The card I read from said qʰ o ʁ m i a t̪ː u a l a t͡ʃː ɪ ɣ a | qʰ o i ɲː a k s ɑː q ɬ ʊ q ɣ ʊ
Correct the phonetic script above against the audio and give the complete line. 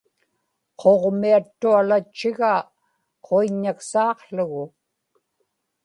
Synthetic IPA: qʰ o ʁ m i a t̪ː u a l a t͡ʃː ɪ ɣ a | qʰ o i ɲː a k s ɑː q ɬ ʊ ɣ ʊ